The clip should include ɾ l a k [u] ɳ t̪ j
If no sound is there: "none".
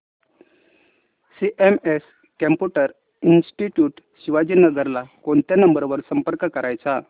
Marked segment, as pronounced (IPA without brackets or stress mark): o